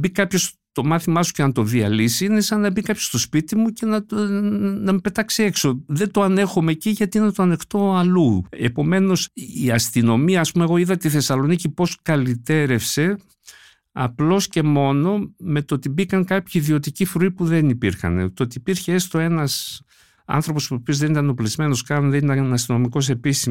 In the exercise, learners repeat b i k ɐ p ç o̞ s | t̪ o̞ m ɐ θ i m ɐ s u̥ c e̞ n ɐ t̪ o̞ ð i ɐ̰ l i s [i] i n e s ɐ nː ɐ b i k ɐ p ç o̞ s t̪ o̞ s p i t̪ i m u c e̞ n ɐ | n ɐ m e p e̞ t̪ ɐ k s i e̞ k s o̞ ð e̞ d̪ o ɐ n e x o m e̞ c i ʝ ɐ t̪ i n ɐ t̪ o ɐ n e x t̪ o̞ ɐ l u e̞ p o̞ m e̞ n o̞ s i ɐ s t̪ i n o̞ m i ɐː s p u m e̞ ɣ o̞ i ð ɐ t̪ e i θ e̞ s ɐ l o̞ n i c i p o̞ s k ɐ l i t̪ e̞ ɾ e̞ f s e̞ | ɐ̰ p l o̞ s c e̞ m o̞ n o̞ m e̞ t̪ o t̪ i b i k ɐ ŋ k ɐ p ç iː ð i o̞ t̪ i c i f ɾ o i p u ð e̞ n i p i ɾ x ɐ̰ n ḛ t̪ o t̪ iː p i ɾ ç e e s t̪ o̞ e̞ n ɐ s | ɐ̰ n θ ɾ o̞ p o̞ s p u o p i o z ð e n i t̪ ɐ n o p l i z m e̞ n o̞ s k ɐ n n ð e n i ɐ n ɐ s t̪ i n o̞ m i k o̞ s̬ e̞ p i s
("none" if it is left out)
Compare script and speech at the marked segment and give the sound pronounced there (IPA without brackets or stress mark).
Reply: i